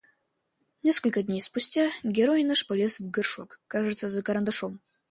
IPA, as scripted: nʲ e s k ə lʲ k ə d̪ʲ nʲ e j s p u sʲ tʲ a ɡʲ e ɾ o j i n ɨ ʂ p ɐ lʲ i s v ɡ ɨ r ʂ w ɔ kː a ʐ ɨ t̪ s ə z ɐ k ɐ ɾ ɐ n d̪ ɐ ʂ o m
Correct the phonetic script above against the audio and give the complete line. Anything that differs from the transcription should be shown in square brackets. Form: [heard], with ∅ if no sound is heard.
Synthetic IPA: nʲ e s k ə lʲ k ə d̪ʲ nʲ e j s p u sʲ tʲ a ɡʲ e ɾ o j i n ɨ ʂ p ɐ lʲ [e] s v ɡ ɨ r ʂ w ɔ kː a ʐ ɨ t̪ s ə z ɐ k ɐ ɾ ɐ n d̪ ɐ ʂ o m